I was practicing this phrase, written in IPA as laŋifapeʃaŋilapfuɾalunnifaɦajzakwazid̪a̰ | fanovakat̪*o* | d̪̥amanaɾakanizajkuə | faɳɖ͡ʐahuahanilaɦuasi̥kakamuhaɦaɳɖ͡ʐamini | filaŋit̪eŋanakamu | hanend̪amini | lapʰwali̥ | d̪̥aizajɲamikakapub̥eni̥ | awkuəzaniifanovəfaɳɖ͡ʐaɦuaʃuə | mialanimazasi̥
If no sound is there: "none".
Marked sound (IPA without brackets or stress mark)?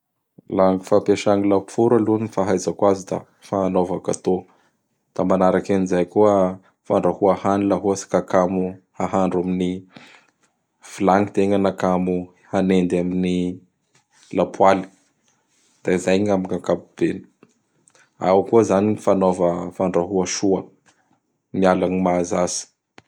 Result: o